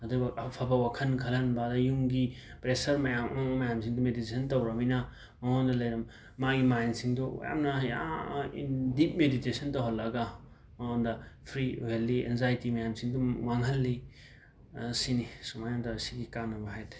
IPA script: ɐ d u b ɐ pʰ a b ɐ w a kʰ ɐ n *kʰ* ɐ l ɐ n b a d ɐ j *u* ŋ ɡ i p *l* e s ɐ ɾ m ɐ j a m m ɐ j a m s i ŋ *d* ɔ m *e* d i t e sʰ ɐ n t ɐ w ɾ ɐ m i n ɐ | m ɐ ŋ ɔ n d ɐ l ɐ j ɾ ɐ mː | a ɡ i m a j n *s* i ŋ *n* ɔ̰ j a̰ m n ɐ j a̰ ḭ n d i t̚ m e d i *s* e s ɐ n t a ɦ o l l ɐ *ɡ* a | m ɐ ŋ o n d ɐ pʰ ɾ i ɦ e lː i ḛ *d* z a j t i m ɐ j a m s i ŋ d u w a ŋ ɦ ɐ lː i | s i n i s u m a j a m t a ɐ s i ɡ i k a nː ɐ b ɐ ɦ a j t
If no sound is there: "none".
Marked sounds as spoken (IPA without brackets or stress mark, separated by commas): kʰ, u, ɾ, d, e, s, d, t, ɡ, n